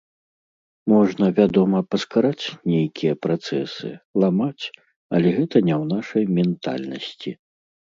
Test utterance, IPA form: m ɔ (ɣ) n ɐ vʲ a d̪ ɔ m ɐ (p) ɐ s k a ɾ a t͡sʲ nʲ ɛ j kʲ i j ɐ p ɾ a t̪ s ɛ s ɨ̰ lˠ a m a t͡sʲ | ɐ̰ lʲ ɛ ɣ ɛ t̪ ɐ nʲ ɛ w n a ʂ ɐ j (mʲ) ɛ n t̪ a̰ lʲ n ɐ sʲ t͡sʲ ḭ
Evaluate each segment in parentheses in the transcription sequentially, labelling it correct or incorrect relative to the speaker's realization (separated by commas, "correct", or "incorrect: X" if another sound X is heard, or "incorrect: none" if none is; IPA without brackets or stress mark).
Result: incorrect: ʐ, correct, correct